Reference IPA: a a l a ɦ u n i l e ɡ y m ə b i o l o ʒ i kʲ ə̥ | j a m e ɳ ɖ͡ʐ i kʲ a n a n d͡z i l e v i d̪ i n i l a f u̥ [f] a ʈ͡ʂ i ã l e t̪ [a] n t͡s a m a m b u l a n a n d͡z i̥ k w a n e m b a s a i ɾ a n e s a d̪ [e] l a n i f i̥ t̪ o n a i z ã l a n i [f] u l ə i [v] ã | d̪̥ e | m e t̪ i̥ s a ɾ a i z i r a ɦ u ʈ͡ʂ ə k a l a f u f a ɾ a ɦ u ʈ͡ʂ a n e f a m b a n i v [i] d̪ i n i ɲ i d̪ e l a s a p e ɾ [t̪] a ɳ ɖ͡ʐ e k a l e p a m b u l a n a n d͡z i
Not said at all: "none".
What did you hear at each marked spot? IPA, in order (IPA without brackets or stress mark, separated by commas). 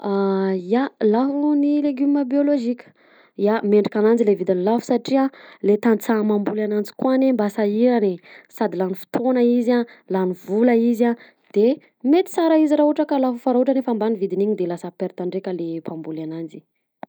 s, a, i, v, z, i, t̪